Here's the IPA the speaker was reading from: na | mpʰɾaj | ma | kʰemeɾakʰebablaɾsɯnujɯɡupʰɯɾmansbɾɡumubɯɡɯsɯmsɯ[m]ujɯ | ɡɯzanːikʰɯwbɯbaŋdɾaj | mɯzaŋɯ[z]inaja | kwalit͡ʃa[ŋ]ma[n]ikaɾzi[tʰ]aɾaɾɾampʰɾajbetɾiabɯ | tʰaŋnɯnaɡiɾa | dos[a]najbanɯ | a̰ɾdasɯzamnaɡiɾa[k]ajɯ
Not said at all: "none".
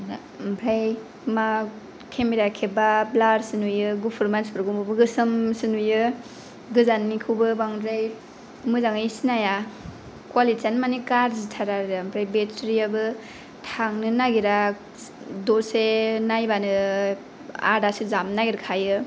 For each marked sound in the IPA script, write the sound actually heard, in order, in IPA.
n, s, n, n, tʰ, e, kʰ

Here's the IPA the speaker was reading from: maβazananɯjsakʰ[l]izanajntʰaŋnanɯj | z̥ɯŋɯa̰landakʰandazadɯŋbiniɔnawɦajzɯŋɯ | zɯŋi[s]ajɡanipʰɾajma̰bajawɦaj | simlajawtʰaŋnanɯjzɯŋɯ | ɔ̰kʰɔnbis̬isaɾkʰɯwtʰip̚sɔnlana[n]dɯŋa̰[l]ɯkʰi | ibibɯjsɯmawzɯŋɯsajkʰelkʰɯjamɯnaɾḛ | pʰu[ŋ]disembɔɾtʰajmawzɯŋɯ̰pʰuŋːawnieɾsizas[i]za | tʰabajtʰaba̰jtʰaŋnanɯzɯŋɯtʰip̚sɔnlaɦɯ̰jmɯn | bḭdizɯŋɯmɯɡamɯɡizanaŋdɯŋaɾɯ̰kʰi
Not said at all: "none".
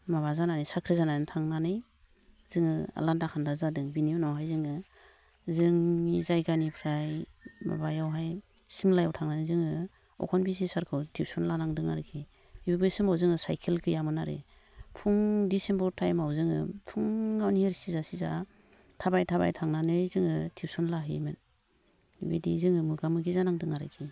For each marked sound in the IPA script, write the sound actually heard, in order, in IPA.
ɾ, z, ŋ, ɾ, ŋ, i

